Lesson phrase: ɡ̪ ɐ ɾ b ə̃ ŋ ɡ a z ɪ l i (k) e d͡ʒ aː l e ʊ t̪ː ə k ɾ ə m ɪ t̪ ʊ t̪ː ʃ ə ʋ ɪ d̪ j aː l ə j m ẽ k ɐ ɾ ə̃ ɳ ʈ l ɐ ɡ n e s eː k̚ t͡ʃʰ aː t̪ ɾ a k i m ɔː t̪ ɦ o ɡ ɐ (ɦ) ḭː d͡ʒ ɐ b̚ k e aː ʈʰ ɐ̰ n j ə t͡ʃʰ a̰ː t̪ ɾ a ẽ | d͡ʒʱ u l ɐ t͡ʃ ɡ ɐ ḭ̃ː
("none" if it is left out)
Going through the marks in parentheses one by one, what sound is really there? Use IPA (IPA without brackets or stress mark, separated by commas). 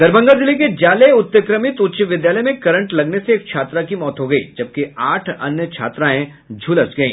k, none